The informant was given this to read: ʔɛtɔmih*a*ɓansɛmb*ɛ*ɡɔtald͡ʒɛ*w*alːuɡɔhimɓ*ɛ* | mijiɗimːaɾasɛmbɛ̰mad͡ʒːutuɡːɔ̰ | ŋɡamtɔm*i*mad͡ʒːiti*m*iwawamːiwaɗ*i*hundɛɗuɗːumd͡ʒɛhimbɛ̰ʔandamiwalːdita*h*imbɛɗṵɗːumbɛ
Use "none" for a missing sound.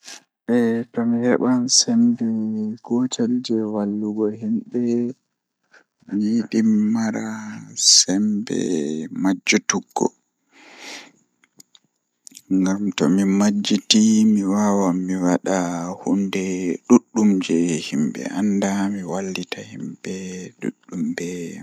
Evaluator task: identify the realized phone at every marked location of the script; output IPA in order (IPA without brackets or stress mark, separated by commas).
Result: ɛ, ɛ, w, ɛ, i, m, a, h